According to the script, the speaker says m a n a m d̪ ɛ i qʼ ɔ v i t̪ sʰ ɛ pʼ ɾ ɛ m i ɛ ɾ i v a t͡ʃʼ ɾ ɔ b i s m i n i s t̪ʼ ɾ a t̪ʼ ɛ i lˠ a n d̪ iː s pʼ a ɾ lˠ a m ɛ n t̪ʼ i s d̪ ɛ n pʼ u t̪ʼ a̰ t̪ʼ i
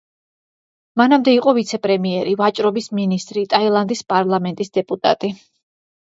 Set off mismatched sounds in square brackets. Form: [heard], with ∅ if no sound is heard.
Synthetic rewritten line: m a n a m d̪ ɛ i qʼ ɔ v i t̪ sʰ ɛ pʼ ɾ ɛ m i ɛ ɾ i v a t͡ʃʼ ɾ ɔ b i s m i n i s t̪ʼ ɾ [i] t̪ʼ [a] i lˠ a n d̪ [i] s pʼ a ɾ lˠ a m ɛ n t̪ʼ i s d̪ ɛ [∅] pʼ u t̪ʼ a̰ t̪ʼ i